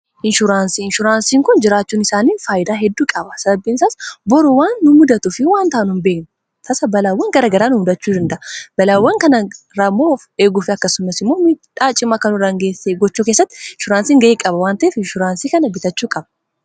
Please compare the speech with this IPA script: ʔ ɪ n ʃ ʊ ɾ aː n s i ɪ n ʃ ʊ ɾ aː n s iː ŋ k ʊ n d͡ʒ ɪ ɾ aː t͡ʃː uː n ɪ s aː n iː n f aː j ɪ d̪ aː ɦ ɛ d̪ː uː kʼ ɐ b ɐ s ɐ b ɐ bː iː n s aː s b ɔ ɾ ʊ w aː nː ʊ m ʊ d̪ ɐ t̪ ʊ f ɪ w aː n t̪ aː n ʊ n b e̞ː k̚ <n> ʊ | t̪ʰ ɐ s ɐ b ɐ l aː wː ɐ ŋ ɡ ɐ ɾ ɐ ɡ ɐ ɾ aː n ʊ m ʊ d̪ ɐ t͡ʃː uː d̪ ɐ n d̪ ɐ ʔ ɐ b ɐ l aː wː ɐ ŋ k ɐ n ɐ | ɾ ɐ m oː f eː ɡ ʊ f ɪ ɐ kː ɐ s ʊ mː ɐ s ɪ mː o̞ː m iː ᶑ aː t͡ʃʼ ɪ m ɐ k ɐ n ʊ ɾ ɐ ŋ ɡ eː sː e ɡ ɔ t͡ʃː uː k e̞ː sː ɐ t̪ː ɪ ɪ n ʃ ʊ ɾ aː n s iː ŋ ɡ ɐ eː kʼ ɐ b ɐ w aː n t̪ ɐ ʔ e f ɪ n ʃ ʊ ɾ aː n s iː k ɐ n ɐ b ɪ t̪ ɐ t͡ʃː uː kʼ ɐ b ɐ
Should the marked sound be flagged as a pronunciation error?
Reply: no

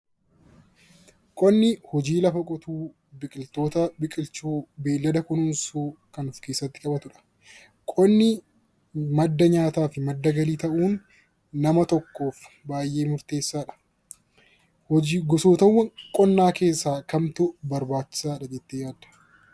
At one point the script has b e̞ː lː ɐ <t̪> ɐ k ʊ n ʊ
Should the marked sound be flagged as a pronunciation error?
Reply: yes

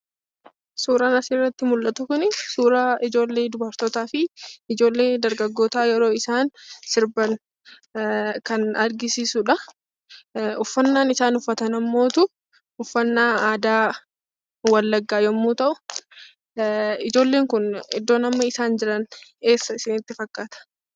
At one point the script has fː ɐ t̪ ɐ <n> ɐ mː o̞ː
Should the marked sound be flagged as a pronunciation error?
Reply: no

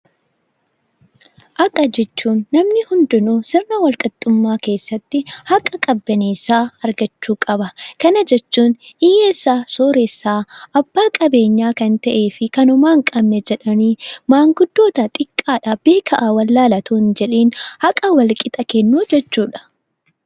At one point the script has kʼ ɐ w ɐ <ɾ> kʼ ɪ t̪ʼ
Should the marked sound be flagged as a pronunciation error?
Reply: yes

